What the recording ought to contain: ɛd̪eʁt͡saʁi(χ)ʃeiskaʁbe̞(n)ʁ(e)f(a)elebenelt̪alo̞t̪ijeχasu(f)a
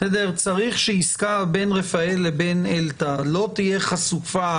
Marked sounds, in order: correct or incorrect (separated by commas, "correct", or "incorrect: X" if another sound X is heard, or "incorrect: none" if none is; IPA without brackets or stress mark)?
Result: correct, correct, correct, correct, correct